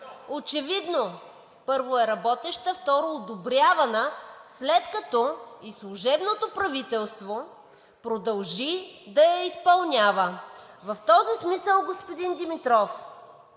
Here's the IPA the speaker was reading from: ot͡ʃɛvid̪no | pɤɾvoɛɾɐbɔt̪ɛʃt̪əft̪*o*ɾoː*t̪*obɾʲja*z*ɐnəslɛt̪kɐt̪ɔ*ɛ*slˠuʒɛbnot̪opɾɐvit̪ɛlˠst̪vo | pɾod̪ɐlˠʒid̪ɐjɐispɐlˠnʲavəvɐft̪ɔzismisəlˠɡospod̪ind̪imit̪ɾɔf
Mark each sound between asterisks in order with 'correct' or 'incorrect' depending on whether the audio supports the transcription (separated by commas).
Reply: incorrect, incorrect, incorrect, incorrect